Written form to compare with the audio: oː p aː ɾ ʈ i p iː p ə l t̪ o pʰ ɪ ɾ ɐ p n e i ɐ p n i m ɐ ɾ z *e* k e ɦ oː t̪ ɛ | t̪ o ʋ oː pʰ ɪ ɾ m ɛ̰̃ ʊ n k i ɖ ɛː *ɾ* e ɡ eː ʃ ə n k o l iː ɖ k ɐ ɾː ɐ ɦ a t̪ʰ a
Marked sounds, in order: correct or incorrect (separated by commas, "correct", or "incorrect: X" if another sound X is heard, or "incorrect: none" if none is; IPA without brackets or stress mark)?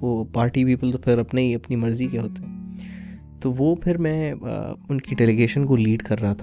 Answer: incorrect: i, incorrect: l